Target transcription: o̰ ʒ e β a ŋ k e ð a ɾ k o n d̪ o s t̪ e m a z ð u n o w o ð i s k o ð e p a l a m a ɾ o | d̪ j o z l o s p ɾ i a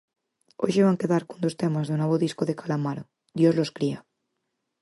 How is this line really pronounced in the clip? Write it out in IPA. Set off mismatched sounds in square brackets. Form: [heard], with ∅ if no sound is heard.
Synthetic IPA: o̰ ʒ e β a ŋ k e ð a ɾ k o n d̪ o s t̪ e m a z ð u n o [β] o ð i s k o ð e [k] a l a m a ɾ o | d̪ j o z l o s [k] ɾ i a